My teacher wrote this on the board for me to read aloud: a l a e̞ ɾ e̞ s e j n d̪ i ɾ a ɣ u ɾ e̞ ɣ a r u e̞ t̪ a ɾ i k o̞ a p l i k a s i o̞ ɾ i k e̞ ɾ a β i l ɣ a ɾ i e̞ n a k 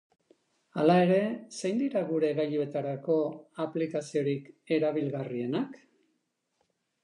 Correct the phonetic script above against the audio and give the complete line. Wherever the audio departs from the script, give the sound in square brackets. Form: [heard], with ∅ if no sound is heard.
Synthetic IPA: a l a e̞ ɾ e̞ s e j n d̪ i ɾ a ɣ u ɾ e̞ ɣ a [ʎ] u e̞ t̪ a ɾ [a] k o̞ a p l i k a s i o̞ ɾ i k e̞ ɾ a β i l ɣ a [r] i e̞ n a k